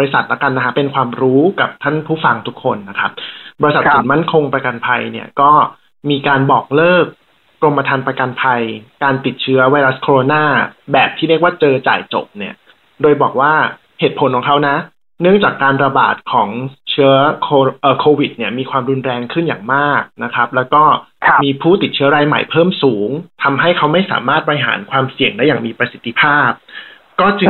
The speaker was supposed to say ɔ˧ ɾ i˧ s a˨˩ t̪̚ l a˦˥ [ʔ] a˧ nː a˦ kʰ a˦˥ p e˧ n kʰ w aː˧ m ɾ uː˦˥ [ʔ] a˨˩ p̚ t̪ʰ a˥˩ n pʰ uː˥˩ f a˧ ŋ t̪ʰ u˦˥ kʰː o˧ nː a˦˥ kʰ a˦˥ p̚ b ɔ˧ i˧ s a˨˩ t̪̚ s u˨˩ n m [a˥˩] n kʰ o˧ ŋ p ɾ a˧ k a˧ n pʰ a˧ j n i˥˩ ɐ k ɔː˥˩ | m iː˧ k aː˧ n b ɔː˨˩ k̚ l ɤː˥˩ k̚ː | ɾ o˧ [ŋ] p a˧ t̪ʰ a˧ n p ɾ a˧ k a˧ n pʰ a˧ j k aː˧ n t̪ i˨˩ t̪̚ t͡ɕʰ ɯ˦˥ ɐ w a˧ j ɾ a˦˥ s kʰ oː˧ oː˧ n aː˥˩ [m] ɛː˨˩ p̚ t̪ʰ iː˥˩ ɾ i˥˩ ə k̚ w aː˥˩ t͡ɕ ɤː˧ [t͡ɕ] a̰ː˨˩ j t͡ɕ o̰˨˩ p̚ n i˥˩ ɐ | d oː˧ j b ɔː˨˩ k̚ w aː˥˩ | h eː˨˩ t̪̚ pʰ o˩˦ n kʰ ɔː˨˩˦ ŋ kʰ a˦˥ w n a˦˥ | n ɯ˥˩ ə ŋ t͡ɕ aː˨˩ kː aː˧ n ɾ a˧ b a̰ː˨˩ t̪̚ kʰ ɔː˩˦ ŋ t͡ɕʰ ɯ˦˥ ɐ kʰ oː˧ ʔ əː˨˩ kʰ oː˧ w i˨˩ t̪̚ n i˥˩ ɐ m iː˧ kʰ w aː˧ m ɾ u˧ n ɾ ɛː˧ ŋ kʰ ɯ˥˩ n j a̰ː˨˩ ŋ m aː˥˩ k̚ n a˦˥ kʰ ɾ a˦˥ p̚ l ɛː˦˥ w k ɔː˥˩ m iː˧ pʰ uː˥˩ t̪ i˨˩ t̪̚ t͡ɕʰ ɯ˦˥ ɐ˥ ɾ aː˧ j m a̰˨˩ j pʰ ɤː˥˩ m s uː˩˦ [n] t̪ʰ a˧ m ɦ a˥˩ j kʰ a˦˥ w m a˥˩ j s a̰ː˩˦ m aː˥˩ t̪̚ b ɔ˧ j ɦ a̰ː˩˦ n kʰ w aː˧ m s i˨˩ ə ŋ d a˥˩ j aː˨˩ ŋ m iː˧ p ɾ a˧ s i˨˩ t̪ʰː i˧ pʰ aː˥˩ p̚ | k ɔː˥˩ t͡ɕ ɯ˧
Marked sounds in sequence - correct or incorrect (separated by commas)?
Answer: incorrect, incorrect, correct, incorrect, incorrect, correct, incorrect